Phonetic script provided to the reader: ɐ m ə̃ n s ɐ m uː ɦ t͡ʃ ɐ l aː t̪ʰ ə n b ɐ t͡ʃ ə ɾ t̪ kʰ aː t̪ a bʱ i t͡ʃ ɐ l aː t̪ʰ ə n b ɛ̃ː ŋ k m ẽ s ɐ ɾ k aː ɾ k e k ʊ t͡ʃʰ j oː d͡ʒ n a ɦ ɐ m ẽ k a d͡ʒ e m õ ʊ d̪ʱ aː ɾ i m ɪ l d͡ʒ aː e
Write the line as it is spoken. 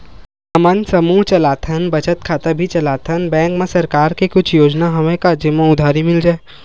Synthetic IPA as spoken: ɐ m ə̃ n s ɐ m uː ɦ t͡ʃ ɐ l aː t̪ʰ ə n b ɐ t͡ʃ ə t̪ kʰ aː t̪ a bʱ i t͡ʃ ɐ l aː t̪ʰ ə n b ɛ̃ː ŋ k m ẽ s ɐ ɾ k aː ɾ k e k ʊ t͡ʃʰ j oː d͡ʒ n a ɦ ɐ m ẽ k a d͡ʒ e m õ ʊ d̪ʱ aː ɾ i m ɪ l d͡ʒ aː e